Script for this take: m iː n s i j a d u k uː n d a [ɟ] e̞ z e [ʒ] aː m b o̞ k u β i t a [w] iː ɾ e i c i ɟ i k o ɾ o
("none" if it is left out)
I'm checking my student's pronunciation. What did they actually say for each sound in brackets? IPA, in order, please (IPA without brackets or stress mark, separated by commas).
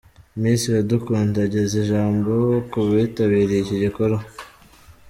ɟ, ʒ, β